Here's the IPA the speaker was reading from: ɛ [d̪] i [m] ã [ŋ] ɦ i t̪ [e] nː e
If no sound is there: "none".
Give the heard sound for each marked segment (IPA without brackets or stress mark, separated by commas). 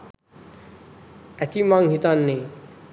t̪, m, ŋ, a